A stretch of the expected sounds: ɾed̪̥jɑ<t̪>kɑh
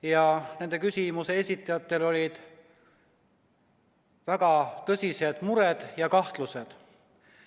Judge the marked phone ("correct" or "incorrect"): incorrect